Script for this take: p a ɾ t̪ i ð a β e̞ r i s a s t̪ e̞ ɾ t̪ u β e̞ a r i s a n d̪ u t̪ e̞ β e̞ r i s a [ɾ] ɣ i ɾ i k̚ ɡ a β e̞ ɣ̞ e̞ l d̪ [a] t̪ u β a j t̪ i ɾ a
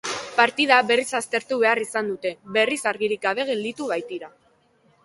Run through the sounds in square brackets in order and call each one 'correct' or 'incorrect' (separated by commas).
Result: correct, incorrect